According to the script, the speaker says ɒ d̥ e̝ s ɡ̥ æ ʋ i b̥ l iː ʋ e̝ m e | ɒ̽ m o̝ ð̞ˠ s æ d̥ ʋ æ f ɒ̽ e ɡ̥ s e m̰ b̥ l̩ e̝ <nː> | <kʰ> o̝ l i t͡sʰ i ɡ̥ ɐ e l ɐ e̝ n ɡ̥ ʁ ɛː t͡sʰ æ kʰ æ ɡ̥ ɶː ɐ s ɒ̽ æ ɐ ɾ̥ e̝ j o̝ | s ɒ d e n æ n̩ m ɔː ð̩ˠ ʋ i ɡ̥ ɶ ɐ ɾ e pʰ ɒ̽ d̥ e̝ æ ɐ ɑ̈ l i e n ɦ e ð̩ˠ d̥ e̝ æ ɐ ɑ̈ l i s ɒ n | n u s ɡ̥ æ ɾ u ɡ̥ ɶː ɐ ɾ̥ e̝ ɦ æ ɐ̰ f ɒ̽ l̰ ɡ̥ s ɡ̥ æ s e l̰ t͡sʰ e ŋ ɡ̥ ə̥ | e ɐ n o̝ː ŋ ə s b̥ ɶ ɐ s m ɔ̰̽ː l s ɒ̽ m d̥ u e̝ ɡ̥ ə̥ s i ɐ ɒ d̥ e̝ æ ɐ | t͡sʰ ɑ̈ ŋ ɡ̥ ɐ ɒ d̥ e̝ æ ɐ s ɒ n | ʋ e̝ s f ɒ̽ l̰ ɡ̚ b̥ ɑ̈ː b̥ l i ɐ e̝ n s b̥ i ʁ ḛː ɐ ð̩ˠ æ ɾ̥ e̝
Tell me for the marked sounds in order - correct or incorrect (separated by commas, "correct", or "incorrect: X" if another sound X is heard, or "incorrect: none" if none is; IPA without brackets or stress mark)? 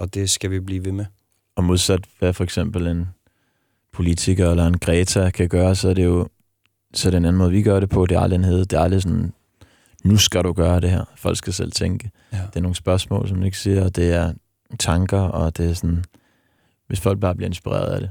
incorrect: n, incorrect: pʰ